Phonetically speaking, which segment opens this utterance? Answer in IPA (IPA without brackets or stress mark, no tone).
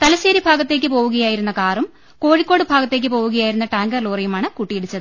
t̪